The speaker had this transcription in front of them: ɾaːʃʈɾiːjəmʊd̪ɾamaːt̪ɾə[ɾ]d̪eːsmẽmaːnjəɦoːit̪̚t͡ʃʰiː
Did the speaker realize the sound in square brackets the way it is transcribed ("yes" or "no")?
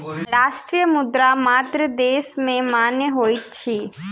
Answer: no